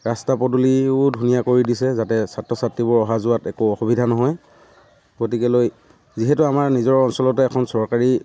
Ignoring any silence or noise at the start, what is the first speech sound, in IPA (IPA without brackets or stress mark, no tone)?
ɹ